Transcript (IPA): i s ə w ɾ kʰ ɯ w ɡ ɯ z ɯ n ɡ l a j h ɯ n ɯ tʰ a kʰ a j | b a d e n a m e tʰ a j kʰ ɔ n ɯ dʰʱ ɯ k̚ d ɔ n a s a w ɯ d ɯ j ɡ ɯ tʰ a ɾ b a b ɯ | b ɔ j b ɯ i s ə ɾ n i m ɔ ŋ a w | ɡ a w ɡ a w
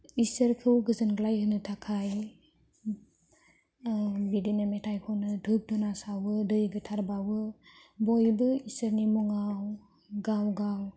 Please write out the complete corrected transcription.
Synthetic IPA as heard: i s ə ɾ kʰ ɯ w ɡ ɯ z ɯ n ɡ l a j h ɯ n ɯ tʰ a kʰ a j | b i d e n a m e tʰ a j kʰ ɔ n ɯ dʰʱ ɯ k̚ d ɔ n a s a w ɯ d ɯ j ɡ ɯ tʰ a ɾ b a w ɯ | b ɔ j b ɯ i s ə ɾ n i m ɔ ŋ a w | ɡ a w ɡ a w

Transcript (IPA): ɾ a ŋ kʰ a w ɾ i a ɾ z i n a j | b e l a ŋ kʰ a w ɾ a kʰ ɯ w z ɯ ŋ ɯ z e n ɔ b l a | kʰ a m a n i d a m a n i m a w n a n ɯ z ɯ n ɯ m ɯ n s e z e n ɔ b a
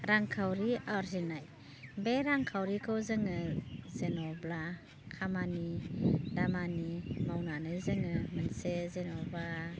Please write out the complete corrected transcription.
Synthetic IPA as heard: ɾ a ŋ kʰ a w ɾ i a ɾ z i n a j | b e ɾ a ŋ kʰ a w ɾ i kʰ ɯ w z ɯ ŋ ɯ z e n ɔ b l a | kʰ a m a n i d a m a n i m a w n a n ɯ z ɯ ŋ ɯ m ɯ n s e z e n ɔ b a

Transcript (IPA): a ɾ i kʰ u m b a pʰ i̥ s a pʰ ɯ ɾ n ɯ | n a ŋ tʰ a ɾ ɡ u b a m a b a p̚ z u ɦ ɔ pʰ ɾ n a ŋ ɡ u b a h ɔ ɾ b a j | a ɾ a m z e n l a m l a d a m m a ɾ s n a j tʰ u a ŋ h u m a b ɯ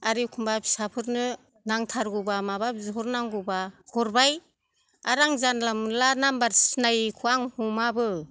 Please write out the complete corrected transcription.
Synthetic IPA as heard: a ɾ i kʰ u m b a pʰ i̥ s a pʰ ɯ ɾ n ɯ | n a ŋ tʰ a ɾ ɡ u b a m a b a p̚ z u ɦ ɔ ɾ n a ŋ ɡ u b a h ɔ ɾ b a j | a ɾ a ŋ z a n l a m l a n a m b a ɾ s n a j kʰ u a ŋ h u m a b ɯ

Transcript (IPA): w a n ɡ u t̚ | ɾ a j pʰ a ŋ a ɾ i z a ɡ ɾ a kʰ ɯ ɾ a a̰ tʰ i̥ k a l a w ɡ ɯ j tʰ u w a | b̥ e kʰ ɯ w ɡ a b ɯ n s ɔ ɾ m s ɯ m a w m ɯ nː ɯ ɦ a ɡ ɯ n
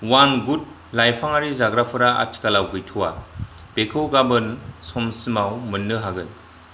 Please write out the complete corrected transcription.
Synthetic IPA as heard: w a n ɡ u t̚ | l a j pʰ a ŋ a ɾ i z a ɡ ɾ a pʰ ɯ ɾ a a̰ tʰ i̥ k a l a w ɡ ɯ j tʰ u w a | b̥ e kʰ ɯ w ɡ a b ɯ n s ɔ m s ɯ m a w m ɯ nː ɯ ɦ a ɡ ɯ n

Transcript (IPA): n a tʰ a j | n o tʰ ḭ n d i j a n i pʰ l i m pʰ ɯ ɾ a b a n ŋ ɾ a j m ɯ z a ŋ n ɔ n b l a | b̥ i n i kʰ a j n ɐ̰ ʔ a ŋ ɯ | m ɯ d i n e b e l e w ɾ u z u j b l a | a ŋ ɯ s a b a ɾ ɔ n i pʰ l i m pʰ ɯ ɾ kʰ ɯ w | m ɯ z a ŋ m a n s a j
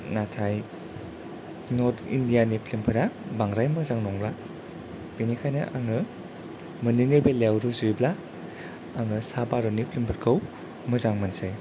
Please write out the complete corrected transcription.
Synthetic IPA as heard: n a tʰ a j | n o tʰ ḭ n d i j a n i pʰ l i m pʰ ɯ ɾ a b a ŋ ɾ a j m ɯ z a ŋ n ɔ ŋ b l a | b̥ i n i kʰ a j n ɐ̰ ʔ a ŋ ɯ | m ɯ n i n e b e l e w ɾ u z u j b l a | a ŋ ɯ s a b a ɾ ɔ n i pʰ l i m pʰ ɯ ɾ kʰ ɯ w | m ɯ z a ŋ m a n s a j

